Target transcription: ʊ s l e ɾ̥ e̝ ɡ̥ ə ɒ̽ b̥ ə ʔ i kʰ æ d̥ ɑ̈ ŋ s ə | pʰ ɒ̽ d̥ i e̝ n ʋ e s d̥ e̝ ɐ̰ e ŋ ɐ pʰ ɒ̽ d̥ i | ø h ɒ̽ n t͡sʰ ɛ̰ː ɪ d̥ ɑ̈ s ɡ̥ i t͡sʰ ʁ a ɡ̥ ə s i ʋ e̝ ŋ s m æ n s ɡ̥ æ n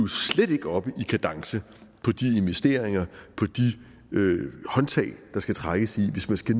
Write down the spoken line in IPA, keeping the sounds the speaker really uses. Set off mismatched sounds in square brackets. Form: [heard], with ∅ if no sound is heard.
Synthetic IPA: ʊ s l e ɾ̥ e̝ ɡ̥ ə ɒ̽ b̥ ə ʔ i kʰ æ d̥ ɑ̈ ŋ s ə | pʰ ɒ̽ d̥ i e̝ n ʋ e s d̥ e̝ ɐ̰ e ŋ ɐ pʰ ɒ̽ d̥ i | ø h ɒ̽ n t͡sʰ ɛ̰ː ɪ d̥ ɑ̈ s ɡ̥ [æ] t͡sʰ ʁ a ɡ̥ ə s i ʋ e̝ [∅] s m æ n s ɡ̥ æ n